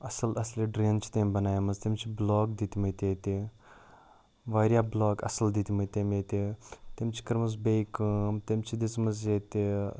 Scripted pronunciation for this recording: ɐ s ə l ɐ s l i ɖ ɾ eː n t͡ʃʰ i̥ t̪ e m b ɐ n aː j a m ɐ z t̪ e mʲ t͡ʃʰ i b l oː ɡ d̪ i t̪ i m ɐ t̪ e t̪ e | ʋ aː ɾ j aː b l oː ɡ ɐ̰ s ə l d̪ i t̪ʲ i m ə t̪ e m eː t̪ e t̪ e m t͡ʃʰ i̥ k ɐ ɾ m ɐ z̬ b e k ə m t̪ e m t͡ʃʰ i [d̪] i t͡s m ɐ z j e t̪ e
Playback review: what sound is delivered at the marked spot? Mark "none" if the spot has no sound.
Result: d̪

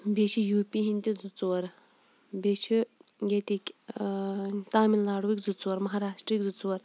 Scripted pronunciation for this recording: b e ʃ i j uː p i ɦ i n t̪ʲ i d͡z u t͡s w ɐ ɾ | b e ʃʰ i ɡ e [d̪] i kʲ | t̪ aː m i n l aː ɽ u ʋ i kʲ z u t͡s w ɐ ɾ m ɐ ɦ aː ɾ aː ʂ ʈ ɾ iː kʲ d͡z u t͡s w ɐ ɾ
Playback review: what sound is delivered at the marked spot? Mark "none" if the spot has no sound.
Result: t̪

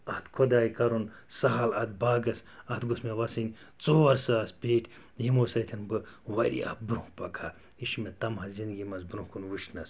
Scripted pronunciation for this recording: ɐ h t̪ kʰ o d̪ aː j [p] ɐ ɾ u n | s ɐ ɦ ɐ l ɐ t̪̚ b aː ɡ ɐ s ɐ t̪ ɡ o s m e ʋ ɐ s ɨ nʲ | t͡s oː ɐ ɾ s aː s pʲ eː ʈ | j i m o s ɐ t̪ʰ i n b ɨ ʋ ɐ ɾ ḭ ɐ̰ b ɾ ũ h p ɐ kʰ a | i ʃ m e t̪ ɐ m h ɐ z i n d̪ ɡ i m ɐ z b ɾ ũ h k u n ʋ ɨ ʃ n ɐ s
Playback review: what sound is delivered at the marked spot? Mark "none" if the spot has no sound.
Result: k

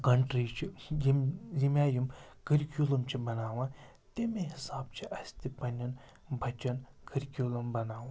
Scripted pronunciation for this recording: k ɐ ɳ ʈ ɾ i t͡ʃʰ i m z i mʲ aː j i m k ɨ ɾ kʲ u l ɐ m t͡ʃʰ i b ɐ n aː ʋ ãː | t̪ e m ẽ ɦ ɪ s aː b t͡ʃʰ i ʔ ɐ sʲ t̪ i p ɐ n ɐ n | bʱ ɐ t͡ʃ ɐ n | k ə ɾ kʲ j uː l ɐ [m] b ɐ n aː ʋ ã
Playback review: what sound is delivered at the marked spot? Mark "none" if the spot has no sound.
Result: m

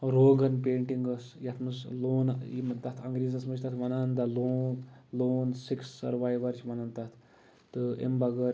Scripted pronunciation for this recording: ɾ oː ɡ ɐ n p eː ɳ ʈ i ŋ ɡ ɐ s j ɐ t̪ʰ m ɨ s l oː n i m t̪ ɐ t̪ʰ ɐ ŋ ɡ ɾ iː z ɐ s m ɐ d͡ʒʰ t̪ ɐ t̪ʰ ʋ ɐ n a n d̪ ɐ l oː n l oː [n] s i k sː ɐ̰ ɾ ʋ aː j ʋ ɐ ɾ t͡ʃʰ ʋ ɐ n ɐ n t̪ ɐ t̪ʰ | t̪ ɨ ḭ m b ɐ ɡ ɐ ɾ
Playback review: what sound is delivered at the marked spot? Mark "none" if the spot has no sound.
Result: n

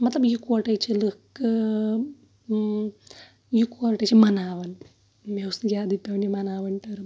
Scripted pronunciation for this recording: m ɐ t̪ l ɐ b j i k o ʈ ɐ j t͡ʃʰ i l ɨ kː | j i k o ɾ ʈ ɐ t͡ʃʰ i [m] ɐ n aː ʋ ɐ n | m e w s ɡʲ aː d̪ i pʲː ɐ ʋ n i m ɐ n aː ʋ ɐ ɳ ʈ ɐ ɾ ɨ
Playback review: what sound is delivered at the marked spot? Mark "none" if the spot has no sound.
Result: m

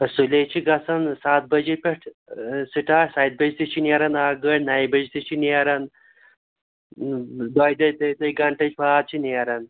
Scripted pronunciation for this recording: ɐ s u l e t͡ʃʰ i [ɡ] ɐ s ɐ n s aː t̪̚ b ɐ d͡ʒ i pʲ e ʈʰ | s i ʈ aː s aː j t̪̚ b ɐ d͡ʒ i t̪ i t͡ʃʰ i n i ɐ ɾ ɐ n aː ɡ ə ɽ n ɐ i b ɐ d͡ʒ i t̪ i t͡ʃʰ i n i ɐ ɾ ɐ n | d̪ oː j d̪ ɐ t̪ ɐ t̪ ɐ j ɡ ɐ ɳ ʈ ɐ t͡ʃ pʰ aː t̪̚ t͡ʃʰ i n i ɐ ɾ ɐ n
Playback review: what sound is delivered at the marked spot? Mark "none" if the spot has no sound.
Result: ɡ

